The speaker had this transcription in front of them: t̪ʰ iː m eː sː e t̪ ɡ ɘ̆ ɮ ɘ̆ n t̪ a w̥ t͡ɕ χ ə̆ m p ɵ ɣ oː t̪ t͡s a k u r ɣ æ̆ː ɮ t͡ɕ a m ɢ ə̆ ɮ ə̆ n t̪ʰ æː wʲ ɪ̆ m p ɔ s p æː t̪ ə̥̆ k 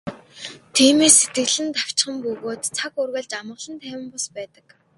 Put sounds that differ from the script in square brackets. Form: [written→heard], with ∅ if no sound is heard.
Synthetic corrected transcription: t̪ʰ iː m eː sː e t̪ ɡ ɘ̆ ɮ ɘ̆ n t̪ a w̥ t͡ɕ χ ə̆ m p ɵ ɣ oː t̪ [t͡s→t͡sʰ] a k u r ɣ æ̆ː ɮ t͡ɕ a m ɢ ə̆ ɮ ə̆ n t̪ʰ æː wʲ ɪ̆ m p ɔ s p æː t̪ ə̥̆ k